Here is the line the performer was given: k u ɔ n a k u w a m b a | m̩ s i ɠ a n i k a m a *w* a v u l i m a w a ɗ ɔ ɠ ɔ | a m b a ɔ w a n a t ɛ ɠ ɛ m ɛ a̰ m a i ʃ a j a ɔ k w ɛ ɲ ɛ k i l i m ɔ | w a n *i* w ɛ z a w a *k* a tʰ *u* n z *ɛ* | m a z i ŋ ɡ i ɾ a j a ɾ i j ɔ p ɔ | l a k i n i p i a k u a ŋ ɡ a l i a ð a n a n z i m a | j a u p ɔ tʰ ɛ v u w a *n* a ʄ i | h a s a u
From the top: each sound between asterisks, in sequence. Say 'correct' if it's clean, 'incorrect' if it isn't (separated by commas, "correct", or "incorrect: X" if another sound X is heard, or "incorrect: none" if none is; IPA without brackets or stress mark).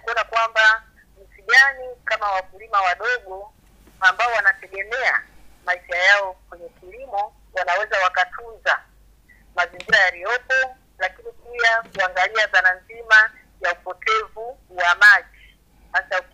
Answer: correct, incorrect: a, correct, correct, incorrect: a, incorrect: m